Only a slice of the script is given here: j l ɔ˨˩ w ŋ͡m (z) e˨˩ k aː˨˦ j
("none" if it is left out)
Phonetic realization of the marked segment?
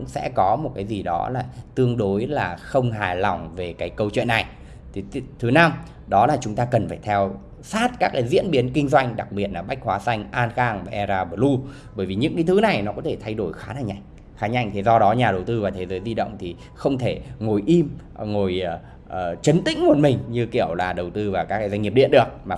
v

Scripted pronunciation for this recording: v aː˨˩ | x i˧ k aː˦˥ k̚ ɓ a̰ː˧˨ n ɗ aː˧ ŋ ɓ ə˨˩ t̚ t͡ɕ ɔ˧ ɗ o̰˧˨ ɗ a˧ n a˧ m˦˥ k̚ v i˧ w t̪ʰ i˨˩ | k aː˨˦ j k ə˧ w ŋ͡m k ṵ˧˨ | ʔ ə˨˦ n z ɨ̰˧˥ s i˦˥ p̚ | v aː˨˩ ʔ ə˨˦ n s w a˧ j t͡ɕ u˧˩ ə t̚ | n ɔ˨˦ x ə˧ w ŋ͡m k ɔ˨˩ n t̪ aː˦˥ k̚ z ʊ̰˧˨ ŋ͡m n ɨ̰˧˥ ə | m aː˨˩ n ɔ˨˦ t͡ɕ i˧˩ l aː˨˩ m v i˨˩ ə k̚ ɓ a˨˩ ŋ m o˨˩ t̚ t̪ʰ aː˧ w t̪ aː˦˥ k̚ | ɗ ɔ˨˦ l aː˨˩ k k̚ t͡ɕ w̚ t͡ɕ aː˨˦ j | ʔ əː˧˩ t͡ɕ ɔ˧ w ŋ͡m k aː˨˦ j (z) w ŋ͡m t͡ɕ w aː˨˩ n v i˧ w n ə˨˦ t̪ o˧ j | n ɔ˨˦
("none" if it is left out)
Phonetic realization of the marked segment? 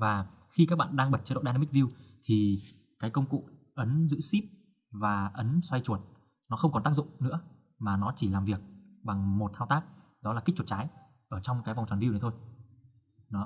v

